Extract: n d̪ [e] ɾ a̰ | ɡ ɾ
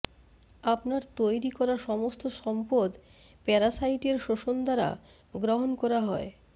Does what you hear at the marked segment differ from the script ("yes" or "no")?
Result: yes